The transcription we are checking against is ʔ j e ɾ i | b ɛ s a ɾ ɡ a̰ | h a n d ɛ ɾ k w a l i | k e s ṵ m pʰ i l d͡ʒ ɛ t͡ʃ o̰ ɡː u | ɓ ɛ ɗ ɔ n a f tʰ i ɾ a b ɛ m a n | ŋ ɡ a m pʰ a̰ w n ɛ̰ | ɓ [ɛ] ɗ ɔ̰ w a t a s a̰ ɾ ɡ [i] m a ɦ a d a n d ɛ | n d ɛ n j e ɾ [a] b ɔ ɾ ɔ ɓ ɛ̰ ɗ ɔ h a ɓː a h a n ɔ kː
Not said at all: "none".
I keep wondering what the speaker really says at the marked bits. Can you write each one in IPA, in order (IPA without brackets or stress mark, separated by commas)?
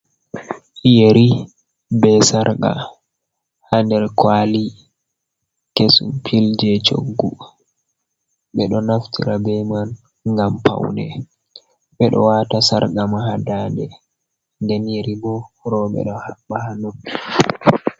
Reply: ɛ, a, i